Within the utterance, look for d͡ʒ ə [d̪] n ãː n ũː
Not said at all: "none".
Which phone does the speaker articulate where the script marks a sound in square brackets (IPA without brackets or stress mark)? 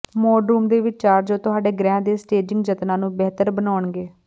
t̪